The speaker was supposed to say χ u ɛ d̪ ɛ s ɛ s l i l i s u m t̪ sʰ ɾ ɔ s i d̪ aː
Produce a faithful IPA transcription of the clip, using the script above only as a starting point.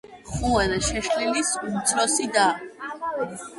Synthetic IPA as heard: χ u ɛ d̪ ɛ ʃ ɛ ʃ l i l i s u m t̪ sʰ ɾ ɔ s i d̪ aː